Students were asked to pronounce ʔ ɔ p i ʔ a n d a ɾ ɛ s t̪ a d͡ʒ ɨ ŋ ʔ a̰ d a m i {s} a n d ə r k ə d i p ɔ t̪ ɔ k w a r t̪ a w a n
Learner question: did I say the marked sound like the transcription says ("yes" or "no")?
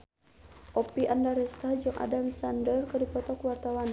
yes